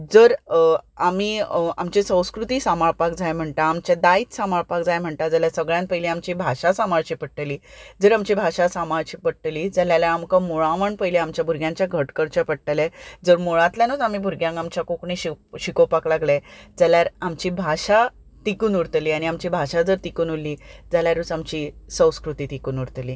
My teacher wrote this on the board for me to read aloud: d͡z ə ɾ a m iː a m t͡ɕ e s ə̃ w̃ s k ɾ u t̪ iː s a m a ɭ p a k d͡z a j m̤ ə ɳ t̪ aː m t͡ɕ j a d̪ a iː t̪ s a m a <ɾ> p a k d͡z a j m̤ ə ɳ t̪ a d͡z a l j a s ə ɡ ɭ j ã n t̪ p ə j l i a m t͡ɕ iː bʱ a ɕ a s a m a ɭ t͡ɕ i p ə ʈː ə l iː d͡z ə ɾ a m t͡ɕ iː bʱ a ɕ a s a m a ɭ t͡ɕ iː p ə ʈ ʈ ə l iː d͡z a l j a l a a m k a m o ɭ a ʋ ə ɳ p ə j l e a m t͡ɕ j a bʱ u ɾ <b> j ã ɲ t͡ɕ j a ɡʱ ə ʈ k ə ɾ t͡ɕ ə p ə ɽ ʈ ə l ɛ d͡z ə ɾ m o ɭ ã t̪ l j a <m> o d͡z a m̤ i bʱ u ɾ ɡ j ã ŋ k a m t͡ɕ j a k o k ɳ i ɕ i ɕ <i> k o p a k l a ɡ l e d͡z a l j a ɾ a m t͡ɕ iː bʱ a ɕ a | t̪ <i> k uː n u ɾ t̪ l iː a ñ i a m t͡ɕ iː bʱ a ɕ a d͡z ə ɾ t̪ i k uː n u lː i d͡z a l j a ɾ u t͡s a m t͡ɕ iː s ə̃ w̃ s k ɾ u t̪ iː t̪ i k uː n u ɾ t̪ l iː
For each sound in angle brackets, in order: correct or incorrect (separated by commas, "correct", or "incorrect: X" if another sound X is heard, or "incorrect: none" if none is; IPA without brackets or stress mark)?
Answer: incorrect: ɭ, incorrect: ɡ, incorrect: n, correct, correct